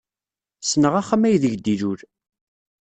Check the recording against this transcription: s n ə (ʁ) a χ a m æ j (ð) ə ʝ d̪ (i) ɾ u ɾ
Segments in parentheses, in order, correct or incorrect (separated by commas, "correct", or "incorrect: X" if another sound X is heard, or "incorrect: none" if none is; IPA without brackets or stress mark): correct, correct, correct